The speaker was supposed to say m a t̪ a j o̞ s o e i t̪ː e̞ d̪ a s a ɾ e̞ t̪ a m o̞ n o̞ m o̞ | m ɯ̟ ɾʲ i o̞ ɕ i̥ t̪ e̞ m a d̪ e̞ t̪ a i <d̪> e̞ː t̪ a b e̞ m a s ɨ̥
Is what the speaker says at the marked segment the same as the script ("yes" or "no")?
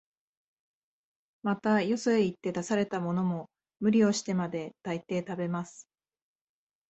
no